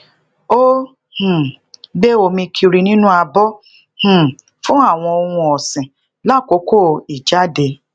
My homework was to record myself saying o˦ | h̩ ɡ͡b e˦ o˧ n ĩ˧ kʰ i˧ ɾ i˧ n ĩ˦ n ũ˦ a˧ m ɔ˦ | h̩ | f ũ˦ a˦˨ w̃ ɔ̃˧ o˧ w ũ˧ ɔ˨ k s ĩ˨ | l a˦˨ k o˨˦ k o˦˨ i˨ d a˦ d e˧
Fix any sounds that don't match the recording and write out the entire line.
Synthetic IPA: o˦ | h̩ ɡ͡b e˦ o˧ m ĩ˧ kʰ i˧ ɾ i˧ n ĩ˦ n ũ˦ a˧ b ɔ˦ | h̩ | f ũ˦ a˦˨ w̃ ɔ̃˧ o˧ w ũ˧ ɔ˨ s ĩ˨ | l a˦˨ k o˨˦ k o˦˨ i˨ d͡ʒ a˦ d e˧